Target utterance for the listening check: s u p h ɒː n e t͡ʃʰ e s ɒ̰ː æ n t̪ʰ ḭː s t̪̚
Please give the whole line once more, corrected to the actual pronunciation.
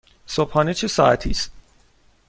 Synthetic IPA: s o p h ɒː n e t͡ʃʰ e s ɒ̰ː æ t̪ʰ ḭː s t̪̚